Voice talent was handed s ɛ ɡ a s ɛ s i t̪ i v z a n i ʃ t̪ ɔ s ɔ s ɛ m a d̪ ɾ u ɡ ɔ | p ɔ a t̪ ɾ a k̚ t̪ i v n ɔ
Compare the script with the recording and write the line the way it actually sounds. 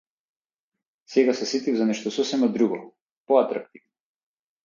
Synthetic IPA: s ɛ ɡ a s ɛ s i t̪ i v z a n ɛ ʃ t̪ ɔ s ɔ s ɛ m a d̪ ɾ u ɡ ɔ | p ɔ a t̪ ɾ a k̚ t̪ i v n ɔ